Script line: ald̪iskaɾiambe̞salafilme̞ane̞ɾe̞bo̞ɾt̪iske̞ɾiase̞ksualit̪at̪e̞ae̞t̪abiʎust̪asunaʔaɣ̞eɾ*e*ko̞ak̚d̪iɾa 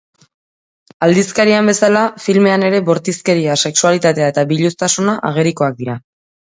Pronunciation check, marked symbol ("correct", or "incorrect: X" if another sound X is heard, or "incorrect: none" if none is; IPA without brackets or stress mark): incorrect: i